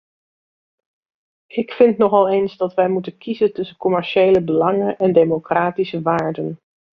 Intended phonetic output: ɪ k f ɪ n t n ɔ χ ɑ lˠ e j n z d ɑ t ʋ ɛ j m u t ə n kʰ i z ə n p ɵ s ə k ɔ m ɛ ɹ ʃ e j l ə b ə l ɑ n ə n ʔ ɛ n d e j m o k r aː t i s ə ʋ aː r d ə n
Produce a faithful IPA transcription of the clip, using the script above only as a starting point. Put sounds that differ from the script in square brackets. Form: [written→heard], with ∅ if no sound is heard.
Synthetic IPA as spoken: ɪ k f ɪ n t n ɔ χ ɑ lˠ e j n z d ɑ t ʋ ɛ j m u t ə n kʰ i z ə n [p→t] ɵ s ə k ɔ m ɛ ɹ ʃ e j l ə b ə l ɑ [n→ŋ] ə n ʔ ɛ n d e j m o k r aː t i s ə ʋ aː [r→ɹ] d ə n

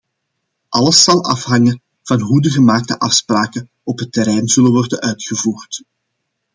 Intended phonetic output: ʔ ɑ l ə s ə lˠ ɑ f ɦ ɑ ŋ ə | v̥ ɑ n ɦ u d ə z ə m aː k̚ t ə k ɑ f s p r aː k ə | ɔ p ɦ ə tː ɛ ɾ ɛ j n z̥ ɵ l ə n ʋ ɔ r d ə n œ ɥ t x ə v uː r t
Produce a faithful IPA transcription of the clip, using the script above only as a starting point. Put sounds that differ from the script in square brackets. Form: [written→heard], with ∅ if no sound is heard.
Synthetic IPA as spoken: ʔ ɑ l ə s [ə→ɑ] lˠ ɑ f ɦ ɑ ŋ ə | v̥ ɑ n ɦ u d ə [z→ɣ] ə m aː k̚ t ə [k→ʔ] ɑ f s p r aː k ə | ɔ p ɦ ə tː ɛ ɾ ɛ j n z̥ ɵ l ə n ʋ ɔ r d ə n œ ɥ t x ə v uː r t

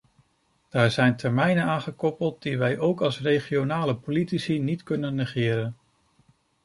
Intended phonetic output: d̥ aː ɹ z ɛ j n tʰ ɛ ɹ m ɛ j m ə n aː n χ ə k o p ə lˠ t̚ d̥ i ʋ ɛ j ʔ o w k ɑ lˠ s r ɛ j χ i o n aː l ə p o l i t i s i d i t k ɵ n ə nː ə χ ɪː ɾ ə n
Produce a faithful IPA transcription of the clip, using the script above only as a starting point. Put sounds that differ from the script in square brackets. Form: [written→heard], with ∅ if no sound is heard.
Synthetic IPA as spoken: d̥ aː ɹ z ɛ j n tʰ ɛ ɹ m ɛ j [m→n] ə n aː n χ ə k [o→ɔ] p ə lˠ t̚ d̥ i ʋ ɛ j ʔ o w k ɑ lˠ s r [ɛ→e] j χ i o n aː l ə p o l i t i s i [d→n] i t k ɵ n ə nː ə χ ɪː ɾ ə n

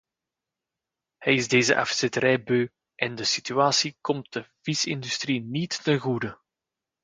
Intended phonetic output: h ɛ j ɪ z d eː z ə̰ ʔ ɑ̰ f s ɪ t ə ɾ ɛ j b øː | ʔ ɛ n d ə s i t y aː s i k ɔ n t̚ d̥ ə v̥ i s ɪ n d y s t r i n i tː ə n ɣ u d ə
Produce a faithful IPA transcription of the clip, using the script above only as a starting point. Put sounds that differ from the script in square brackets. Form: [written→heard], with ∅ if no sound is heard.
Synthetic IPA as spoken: h ɛ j ɪ z d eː z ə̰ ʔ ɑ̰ f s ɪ t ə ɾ ɛ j b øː | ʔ ɛ n d ə s i t y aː s i k ɔ [n→m] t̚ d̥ ə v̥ i s ɪ n d y s t r i n i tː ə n ɣ u d ə

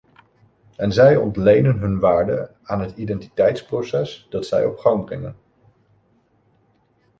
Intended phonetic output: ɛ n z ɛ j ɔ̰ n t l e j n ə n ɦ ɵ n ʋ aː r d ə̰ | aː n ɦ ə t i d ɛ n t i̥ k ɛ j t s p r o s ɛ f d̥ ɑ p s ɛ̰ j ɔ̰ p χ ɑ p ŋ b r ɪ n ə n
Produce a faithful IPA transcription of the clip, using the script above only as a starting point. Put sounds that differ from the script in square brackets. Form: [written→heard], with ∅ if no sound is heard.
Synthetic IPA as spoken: ɛ n z ɛ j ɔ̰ n t l e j n ə n ɦ ɵ n ʋ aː [r→ɹ] d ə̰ | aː n ɦ ə t i d ɛ n t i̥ [k→t] ɛ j t s p r o s ɛ [f→s] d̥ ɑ [p→t] s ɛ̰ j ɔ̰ p χ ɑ [p→∅] ŋ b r ɪ [n→ŋ] ə n

